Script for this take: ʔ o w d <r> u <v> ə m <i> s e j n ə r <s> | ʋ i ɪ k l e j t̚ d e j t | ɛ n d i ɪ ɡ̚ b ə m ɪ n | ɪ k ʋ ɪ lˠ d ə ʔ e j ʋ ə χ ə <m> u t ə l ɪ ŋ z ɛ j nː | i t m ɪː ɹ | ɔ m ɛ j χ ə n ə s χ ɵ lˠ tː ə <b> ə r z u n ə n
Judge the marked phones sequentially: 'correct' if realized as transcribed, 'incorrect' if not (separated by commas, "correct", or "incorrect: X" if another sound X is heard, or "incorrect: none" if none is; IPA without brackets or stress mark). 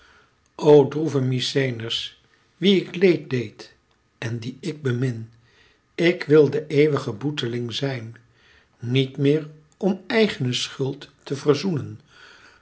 correct, correct, correct, correct, incorrect: b, incorrect: v